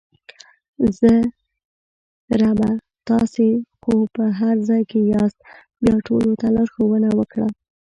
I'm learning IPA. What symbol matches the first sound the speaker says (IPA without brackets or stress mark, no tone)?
z